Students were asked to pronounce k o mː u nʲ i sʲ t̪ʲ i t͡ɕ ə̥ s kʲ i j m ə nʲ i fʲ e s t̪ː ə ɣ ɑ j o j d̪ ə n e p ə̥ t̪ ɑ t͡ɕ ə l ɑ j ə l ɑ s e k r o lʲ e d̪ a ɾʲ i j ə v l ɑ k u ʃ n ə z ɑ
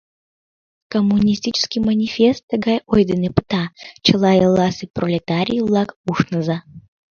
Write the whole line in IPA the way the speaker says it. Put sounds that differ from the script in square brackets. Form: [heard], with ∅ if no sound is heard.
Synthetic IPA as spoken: k o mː u nʲ i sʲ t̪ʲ i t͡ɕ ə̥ s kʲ i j m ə nʲ i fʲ e s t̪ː ə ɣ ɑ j o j d̪ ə n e p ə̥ t̪ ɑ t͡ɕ ə l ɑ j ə l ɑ s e [p] r o lʲ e [t̪] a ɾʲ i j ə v l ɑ k u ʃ n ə z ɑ

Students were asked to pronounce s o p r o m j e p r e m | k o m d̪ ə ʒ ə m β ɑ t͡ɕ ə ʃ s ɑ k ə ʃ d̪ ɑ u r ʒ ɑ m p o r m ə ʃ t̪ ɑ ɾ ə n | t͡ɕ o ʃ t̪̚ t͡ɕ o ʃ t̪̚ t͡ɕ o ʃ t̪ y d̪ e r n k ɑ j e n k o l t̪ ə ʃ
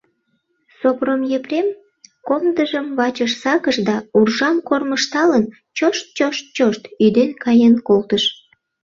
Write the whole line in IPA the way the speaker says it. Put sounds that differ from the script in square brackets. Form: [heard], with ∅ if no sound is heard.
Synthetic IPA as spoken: s o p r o m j e p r e m | k o m d̪ ə ʒ ə m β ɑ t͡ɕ ə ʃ s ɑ k ə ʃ d̪ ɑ u r ʒ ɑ m [k] o r m ə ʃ t̪ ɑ [l] ə n | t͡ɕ o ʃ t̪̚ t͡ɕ o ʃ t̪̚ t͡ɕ o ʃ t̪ y d̪ e [∅] n k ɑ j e n k o l t̪ ə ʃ

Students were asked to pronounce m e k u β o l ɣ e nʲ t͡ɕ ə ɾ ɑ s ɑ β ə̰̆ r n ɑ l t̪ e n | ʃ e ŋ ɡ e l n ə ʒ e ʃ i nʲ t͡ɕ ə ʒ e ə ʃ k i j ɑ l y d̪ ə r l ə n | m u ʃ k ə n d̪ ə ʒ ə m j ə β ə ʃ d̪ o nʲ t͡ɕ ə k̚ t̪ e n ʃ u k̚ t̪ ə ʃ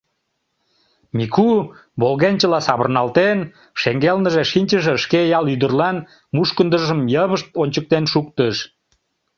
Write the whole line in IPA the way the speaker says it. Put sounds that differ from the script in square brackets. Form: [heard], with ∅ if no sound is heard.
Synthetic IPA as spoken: m [i] k u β o l ɣ e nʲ t͡ɕ ə [l] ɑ s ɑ β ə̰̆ r n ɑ l t̪ e n | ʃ e ŋ ɡ e l n ə ʒ e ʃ i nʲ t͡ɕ ə ʒ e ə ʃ k [e] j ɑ l y d̪ ə r l [ɑ] n | m u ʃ k ə n d̪ ə ʒ ə m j ə β ə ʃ [t̪] o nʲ t͡ɕ ə k̚ t̪ e n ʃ u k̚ t̪ ə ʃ

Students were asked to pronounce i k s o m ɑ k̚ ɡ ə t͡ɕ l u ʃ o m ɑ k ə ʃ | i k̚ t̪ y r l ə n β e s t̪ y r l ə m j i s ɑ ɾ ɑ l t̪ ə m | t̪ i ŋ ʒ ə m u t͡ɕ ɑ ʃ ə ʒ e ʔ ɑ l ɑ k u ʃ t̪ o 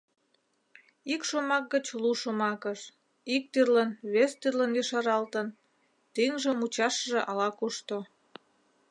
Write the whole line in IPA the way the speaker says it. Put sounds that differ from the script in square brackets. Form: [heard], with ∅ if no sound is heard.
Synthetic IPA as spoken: i k [ʃ] o m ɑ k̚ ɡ ə t͡ɕ l u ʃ o m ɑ k ə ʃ | i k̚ t̪ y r l ə n β e s t̪ y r l ə [n] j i [ʃ] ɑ ɾ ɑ l t̪ ə [n] | t̪ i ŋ ʒ ə m u t͡ɕ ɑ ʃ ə ʒ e ʔ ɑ l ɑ k u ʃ t̪ o

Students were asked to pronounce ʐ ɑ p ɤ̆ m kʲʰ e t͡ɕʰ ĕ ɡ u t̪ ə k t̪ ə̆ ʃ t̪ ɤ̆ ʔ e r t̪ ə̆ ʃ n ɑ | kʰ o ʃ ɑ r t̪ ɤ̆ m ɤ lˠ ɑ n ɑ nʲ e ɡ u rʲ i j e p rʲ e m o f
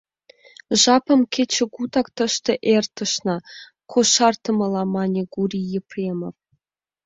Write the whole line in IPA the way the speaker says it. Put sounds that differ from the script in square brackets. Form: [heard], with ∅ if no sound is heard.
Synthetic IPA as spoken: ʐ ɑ p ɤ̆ m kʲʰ e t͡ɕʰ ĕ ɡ u t̪ [ɑ] k t̪ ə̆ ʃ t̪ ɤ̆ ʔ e r t̪ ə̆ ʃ n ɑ | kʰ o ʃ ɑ r t̪ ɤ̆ m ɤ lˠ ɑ [m] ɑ nʲ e ɡ u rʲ i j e p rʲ e m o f

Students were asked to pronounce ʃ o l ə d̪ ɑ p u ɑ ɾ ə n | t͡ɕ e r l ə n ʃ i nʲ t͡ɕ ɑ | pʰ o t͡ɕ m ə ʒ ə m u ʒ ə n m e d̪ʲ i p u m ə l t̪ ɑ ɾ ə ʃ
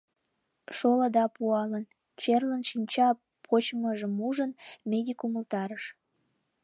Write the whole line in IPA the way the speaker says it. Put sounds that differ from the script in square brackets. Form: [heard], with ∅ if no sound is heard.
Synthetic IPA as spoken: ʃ o l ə d̪ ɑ p u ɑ [l] ə n | t͡ɕ e r l ə n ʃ i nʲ t͡ɕ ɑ | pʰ o t͡ɕ m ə ʒ ə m u ʒ ə n m e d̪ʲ i [k] u m ə l t̪ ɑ ɾ ə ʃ

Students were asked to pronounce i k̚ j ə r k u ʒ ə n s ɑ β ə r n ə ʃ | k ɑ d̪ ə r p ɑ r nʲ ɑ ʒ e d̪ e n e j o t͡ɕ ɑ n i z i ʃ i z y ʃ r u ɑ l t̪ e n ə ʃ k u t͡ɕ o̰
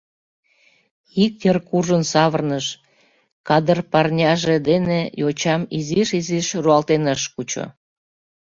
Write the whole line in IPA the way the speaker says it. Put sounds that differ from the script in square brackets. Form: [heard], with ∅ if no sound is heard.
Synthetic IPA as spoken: i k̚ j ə r k u ʒ ə n s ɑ β ə r n ə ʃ | k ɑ d̪ ə r p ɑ r nʲ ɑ ʒ e d̪ e n e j o t͡ɕ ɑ [m] i z i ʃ i z [i] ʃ r u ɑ l t̪ e n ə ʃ k u t͡ɕ o̰

